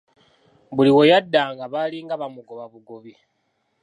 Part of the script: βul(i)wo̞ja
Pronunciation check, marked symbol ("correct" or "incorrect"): correct